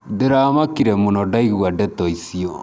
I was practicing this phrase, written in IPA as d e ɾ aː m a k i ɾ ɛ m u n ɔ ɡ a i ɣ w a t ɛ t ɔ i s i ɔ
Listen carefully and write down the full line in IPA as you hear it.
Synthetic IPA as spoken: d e ɾ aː m a k i ɾ ɛ m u n ɔ d a i ɣ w a d ɛ t ɔ i s i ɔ